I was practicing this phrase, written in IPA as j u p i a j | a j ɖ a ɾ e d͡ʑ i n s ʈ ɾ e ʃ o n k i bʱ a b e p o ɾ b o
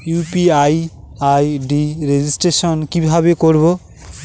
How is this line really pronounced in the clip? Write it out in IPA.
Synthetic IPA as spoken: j u p i a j | a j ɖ i ɾ e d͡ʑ i s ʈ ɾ e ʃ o n k i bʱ a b e k o ɾ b o